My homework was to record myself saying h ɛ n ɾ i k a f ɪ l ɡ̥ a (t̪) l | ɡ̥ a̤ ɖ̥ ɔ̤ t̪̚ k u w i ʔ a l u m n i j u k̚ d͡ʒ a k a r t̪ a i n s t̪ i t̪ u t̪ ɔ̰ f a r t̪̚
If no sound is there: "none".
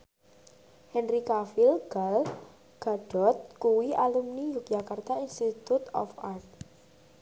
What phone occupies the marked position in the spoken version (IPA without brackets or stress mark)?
none